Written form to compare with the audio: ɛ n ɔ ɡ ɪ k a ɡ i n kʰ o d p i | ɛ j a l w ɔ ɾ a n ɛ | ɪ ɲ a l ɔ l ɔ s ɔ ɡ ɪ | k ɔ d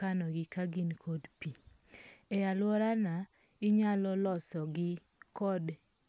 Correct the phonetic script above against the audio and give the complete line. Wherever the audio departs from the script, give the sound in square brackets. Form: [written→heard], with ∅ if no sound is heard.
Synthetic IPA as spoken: [ɛ→a] n ɔ ɡ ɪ k a ɡ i n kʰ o d p i | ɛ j a l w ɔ ɾ a n [ɛ→a] | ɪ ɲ a l ɔ l ɔ s ɔ ɡ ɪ | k ɔ d